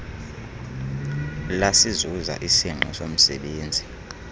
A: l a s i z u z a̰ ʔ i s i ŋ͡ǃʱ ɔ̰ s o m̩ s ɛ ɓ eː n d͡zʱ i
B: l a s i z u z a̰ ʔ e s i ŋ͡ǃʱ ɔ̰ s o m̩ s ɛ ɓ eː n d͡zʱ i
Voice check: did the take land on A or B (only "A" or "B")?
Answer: A